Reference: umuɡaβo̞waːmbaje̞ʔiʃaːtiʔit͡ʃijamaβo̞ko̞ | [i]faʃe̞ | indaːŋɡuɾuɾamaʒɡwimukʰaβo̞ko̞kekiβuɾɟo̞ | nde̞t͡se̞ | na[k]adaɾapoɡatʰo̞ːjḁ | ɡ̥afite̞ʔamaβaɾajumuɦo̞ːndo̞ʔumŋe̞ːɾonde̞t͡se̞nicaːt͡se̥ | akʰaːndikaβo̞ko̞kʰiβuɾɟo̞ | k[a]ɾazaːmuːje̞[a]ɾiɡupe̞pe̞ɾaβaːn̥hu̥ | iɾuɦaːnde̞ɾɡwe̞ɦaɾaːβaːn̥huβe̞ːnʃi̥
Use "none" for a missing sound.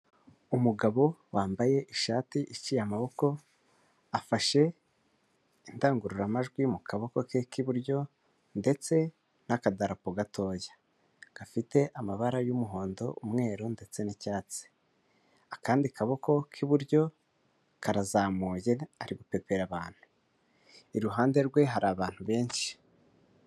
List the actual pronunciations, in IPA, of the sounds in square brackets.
a, k, a, a

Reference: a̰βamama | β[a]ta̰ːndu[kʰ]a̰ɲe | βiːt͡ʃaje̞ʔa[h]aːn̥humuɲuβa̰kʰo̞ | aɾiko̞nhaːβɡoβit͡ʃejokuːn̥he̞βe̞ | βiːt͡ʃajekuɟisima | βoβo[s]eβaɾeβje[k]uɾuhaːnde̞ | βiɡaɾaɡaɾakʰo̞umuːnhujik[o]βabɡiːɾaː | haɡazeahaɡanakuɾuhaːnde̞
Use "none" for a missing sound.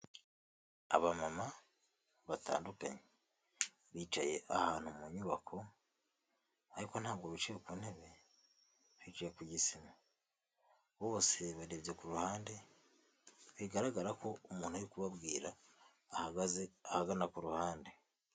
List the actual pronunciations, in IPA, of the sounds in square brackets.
a, k, h, s, k, u

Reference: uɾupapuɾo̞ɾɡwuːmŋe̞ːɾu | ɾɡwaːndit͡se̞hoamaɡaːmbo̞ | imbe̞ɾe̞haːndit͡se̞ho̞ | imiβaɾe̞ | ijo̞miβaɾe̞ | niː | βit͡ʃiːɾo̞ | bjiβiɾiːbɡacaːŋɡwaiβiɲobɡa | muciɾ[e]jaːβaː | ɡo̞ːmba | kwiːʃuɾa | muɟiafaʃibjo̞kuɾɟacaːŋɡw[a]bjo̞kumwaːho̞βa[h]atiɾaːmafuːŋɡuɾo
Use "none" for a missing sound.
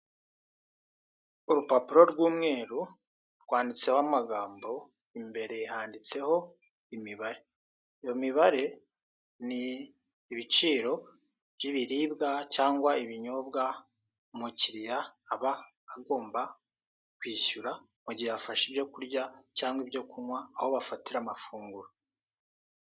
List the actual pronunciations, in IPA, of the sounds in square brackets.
i, i, f

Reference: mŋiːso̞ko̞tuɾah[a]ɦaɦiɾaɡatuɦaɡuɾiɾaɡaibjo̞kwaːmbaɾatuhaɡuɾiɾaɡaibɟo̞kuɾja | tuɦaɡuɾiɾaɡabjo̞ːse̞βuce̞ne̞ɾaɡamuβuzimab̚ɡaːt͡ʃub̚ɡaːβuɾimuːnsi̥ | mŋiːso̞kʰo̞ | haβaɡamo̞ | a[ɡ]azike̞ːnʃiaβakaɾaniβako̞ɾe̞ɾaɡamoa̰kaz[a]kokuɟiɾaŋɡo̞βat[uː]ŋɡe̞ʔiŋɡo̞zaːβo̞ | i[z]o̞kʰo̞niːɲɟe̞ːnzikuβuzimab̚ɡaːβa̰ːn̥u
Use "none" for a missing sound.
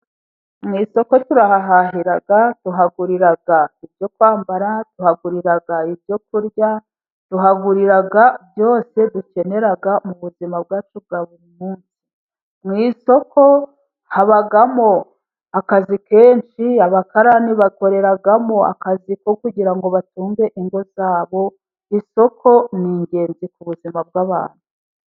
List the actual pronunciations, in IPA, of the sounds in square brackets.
a, k, i, uː, s

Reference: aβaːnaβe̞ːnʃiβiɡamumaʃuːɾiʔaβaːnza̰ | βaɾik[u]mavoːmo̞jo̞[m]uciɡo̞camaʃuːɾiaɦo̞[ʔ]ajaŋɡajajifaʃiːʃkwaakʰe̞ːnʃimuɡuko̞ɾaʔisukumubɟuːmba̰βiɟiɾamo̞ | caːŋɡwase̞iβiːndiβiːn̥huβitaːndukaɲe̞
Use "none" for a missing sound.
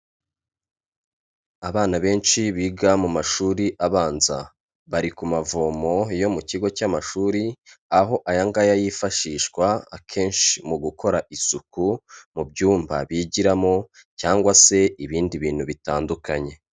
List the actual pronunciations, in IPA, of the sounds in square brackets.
u, m, ʔ

